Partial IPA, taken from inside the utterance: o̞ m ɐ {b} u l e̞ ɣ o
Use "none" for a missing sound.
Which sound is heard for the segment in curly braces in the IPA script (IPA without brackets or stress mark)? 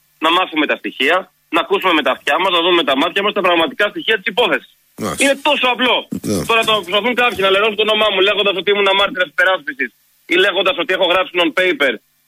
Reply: m